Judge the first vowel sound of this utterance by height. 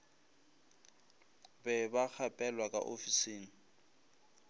mid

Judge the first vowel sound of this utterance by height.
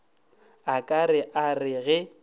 low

